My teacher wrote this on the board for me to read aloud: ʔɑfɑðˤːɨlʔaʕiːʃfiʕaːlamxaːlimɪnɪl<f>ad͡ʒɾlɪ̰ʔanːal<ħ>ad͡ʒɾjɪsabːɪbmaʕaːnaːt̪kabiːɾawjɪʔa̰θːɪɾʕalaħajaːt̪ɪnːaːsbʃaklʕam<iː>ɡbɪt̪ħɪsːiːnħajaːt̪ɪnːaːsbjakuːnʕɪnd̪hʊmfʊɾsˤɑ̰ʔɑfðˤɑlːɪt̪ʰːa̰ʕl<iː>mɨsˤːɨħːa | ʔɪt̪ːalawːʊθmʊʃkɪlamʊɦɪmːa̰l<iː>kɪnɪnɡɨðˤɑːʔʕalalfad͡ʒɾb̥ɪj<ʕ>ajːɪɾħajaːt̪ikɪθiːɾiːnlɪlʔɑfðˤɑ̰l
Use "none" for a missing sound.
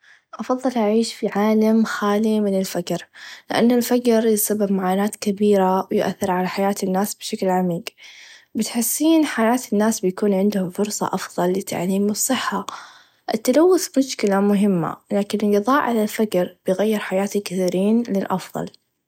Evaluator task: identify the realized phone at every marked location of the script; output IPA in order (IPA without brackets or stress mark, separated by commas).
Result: f, f, iː, iː, aː, ɣ